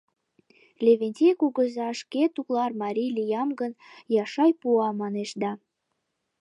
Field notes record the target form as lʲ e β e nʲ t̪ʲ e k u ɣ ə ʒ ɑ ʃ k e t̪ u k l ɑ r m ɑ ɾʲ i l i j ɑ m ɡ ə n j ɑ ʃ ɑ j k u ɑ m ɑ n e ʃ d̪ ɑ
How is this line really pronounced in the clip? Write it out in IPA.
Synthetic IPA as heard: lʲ e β e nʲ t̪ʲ e k u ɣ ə z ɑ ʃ k e t̪ u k l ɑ r m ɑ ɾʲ i l i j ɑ m ɡ ə n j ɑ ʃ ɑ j p u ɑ m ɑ n e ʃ d̪ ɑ